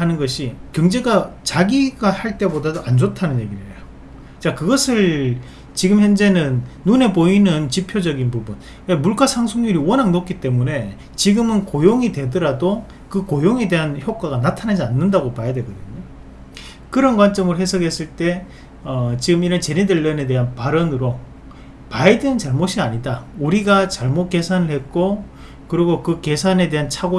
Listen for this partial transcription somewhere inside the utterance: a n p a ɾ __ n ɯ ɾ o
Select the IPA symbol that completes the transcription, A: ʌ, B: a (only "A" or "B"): A